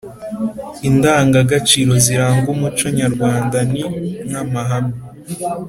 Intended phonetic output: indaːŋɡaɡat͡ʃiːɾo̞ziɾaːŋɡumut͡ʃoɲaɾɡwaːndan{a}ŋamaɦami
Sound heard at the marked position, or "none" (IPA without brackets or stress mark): i